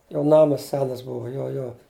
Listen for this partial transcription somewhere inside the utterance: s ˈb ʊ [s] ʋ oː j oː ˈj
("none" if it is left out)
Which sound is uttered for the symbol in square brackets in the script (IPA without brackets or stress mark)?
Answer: none